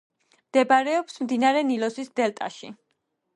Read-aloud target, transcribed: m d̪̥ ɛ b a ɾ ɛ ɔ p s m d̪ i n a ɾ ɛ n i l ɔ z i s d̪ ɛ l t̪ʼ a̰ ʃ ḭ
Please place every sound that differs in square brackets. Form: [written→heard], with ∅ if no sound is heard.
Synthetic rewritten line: m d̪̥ ɛ b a ɾ ɛ ɔ p s m d̪ i n a ɾ ɛ n i l ɔ [z→s] i s d̪ ɛ l t̪ʼ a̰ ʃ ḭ